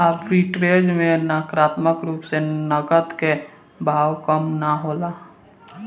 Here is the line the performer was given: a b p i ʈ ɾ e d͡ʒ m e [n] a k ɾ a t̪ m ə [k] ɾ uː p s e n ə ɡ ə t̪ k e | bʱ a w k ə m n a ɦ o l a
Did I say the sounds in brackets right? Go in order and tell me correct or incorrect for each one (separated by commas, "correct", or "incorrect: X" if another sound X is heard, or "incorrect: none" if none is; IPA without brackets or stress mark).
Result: correct, correct